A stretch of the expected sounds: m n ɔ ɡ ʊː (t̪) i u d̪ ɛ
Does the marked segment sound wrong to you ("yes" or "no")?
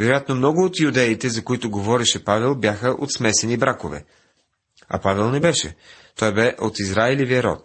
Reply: no